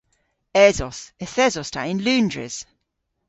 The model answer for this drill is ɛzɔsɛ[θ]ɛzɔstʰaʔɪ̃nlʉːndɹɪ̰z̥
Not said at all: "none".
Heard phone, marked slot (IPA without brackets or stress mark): θ